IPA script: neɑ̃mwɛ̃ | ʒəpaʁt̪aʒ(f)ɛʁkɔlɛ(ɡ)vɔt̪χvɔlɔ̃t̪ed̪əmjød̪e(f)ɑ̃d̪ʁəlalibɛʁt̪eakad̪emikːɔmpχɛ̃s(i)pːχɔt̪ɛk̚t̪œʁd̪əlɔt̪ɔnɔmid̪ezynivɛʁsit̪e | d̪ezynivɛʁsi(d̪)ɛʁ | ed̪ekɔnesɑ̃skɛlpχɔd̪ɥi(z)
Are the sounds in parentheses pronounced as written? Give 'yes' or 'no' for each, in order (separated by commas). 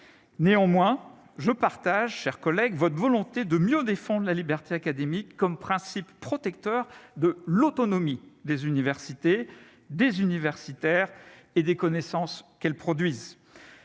no, yes, yes, yes, no, yes